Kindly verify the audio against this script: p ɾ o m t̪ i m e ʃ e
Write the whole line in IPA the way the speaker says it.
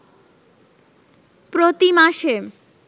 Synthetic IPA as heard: p ɾ o t̪ i m a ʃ e